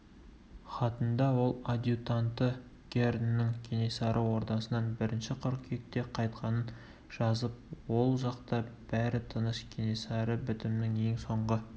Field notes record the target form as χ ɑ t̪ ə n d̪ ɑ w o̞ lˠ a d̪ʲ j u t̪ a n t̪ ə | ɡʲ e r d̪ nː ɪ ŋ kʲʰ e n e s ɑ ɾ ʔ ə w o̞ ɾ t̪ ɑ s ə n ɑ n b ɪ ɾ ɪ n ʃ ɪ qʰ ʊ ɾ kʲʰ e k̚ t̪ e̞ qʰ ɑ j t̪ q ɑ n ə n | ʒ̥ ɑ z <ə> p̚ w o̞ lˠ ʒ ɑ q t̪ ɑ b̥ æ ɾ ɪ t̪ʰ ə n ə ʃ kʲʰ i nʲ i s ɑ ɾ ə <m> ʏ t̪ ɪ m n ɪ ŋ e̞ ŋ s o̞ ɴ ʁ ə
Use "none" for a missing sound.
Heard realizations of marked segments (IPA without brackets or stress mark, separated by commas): ə, b